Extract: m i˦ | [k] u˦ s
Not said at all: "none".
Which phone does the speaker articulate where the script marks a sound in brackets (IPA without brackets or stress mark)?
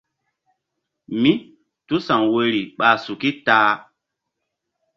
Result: t